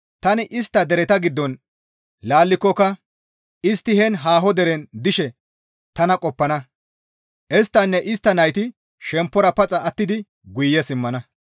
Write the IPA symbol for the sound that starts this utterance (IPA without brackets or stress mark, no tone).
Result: t̪